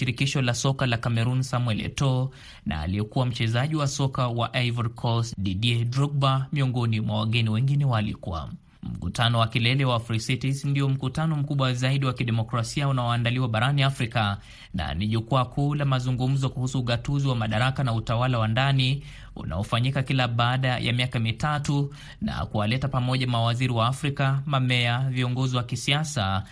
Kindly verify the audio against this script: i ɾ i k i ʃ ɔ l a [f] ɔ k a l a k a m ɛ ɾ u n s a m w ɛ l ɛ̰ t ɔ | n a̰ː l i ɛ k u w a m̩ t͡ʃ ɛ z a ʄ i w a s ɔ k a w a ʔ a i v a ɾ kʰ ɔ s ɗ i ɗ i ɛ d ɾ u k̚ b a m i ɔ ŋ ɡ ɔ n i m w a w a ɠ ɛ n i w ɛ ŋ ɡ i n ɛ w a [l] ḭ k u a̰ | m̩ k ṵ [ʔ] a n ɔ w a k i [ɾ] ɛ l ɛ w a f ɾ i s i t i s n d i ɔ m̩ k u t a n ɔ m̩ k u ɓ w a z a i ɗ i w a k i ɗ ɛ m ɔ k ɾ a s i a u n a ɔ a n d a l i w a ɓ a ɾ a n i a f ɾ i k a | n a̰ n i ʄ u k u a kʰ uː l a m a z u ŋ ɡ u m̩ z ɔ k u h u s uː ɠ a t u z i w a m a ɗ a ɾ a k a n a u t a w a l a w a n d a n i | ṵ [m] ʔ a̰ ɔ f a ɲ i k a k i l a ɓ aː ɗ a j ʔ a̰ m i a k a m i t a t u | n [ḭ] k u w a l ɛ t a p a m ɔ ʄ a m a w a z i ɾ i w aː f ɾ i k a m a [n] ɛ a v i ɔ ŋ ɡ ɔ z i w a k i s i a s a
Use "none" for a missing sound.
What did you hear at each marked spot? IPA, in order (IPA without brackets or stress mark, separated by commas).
s, l, t, l, n, a̰, m